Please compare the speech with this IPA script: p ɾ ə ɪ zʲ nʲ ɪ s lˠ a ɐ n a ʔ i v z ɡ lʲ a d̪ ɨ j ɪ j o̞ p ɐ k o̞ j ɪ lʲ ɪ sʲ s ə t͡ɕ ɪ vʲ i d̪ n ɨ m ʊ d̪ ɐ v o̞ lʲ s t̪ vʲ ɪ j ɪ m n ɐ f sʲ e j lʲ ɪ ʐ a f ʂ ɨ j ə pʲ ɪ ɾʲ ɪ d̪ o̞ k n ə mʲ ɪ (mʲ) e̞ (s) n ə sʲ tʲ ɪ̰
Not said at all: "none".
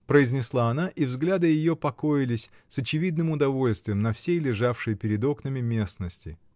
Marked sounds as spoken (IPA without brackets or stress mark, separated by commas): mʲ, s